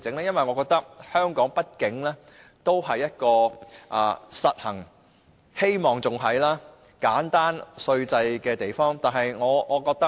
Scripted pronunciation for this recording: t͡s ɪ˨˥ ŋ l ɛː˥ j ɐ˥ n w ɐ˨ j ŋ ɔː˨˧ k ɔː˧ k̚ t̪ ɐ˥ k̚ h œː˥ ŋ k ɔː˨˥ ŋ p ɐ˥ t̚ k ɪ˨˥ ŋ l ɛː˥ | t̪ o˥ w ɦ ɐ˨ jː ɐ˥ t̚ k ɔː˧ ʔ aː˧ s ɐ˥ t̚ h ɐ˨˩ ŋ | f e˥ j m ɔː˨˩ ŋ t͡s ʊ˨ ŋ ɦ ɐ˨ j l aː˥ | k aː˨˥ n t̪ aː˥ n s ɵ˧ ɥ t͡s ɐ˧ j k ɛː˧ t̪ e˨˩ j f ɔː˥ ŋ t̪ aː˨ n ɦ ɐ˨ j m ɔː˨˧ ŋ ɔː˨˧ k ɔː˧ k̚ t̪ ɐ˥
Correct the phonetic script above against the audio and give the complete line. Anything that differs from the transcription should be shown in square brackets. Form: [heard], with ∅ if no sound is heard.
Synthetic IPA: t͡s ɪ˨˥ ŋ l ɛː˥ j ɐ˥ n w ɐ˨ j ŋ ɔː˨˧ k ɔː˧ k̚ t̪ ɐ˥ k̚ h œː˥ ŋ k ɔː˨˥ ŋ p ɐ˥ t̚ k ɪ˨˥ ŋ l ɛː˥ | t̪ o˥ w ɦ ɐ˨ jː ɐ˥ t̚ k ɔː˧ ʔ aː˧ s [ɐ˨] t̚ h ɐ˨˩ ŋ | [h] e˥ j m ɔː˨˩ ŋ t͡s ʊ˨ ŋ ɦ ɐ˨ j l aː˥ | k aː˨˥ n t̪ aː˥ n s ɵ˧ ɥ t͡s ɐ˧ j k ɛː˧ t̪ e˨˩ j f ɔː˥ ŋ t̪ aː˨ n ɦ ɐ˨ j [ŋ] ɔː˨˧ ŋ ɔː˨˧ k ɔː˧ k̚ t̪ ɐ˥